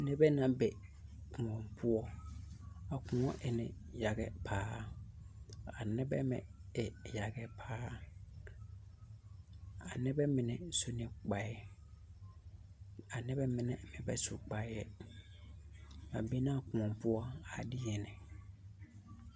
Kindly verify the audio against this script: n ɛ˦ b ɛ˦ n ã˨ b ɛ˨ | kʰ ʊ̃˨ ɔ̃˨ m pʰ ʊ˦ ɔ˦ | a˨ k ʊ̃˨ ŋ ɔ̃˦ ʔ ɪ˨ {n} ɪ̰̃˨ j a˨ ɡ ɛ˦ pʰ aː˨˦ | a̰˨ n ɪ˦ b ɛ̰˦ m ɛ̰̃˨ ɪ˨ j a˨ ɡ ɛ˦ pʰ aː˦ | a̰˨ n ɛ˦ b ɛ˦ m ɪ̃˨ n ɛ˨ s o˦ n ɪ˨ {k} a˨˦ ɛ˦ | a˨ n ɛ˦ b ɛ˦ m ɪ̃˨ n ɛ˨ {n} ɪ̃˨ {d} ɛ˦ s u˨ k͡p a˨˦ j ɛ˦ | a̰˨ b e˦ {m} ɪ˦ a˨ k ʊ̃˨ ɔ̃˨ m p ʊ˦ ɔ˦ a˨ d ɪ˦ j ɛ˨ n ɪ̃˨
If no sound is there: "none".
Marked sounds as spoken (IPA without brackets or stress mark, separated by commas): n, k͡p, m, b, n